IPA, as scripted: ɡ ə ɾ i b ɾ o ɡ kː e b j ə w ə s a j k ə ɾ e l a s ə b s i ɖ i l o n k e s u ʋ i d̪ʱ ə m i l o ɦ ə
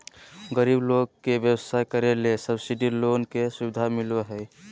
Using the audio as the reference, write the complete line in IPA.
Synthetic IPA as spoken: ɡ ə ɾ i b l o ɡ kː e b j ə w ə s a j k ə ɾ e l e s ə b s i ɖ i l o n k e s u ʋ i d̪ʱ a m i l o ɦ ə